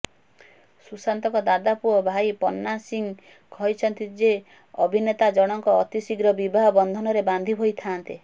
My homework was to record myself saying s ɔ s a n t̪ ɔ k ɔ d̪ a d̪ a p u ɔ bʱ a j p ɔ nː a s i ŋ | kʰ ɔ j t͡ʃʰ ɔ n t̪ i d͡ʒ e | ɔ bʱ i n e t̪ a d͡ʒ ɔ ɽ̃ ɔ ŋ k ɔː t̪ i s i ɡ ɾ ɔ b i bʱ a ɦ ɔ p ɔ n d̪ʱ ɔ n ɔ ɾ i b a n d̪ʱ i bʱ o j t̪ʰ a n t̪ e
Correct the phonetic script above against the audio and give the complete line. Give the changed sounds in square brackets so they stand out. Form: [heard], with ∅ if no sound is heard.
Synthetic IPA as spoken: s [u] s a n t̪ ɔ k ɔ d̪ a d̪ a p u ɔ bʱ a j p ɔ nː a s i ŋ | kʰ ɔ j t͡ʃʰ ɔ n t̪ i d͡ʒ e | ɔ bʱ i n e t̪ a d͡ʒ ɔ ɽ̃ ɔ ŋ k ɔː t̪ i s i ɡ ɾ ɔ b i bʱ a ɦ ɔ [b] ɔ n d̪ʱ ɔ n ɔ ɾ [e] b a n d̪ʱ i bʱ o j t̪ʰ a n t̪ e